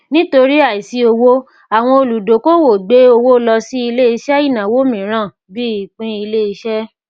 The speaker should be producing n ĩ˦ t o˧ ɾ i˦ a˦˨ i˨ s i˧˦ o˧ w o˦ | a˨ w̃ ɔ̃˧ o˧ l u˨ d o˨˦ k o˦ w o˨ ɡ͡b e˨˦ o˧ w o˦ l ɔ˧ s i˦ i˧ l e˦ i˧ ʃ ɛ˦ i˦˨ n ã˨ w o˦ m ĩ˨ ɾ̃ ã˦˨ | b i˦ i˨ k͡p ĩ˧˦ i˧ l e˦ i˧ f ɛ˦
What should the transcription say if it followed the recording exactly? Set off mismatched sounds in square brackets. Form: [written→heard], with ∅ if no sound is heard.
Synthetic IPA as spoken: n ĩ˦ t o˧ ɾ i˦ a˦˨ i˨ s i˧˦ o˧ w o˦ | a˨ w̃ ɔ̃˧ o˧ l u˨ d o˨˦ k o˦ w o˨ ɡ͡b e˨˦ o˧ w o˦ l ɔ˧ s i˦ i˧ l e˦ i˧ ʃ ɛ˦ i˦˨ n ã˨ w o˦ m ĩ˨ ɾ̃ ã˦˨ | b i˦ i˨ k͡p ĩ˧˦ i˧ l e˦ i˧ [f→ʃ] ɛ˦